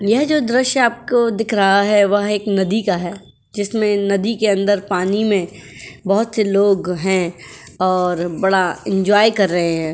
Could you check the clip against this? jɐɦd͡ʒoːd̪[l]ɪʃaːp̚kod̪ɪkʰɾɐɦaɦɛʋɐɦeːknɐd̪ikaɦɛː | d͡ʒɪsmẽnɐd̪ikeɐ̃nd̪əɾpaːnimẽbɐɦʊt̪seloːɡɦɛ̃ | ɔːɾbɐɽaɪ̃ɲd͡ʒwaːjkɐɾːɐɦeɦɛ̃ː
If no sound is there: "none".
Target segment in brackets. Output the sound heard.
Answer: ɾ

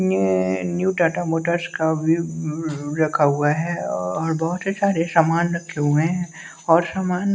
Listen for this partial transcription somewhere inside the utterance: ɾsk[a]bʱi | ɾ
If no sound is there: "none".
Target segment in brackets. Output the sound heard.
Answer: a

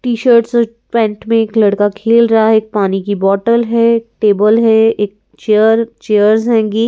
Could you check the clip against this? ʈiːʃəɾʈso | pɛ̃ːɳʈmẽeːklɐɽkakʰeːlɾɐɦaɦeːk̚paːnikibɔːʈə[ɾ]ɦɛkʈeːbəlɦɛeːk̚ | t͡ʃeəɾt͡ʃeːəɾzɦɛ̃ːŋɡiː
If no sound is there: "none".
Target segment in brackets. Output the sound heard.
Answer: l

